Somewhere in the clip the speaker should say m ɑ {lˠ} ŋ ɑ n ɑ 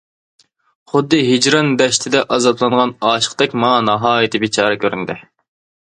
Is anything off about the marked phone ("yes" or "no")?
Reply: yes